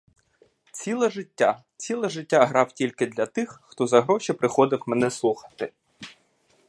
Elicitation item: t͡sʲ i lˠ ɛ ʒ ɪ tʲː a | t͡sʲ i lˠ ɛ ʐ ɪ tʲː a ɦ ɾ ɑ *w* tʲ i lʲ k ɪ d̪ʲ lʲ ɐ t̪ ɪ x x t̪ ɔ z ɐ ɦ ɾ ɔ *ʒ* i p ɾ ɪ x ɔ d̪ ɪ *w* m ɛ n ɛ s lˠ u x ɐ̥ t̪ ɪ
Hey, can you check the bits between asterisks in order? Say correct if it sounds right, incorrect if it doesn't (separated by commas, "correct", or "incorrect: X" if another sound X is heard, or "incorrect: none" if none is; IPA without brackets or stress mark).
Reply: correct, incorrect: ʃ, correct